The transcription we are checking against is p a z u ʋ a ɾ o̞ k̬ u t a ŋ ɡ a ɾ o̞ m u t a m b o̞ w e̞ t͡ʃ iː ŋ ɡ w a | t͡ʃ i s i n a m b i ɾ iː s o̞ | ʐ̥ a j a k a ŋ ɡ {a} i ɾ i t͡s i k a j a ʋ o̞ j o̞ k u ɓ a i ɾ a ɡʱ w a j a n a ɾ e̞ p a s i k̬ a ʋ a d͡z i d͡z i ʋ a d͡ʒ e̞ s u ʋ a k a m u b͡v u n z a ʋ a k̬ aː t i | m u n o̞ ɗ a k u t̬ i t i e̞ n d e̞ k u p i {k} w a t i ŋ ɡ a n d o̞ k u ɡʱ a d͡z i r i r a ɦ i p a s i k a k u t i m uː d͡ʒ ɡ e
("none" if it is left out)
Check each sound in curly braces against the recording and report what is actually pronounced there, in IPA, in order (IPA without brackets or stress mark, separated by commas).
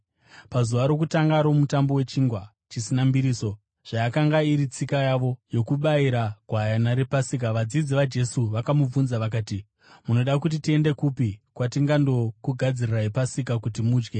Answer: a, k